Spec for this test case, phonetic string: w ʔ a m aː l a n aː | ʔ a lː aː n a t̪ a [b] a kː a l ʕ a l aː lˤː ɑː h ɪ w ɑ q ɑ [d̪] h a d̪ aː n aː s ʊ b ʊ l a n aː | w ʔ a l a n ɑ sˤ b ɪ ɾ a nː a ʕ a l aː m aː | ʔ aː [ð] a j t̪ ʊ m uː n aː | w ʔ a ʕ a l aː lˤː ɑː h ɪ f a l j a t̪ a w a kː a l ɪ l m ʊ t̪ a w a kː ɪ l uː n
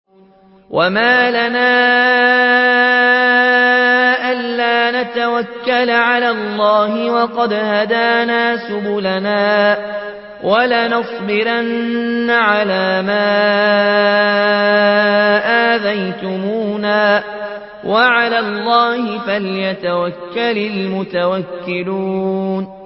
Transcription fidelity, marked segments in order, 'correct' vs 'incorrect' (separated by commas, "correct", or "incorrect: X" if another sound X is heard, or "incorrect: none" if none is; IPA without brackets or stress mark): incorrect: w, correct, correct